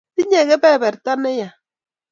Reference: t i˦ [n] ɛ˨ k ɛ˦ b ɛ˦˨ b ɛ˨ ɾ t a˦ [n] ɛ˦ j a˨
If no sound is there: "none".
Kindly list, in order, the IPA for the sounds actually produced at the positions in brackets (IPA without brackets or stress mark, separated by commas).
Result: ɲ, n